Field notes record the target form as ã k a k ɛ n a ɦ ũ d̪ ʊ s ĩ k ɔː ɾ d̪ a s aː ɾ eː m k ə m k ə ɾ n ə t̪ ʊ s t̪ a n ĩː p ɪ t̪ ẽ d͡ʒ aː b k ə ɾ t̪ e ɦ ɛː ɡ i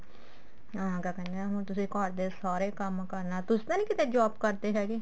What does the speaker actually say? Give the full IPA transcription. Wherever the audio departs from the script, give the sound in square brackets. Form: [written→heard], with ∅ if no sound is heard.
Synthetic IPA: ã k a k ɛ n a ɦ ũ [d̪→t̪] ʊ s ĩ k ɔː ɾ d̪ [a→e] s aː ɾ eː [m→∅] k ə m k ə ɾ n [ə→a] t̪ ʊ s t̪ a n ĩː [p→k] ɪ t̪ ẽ d͡ʒ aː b k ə ɾ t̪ e ɦ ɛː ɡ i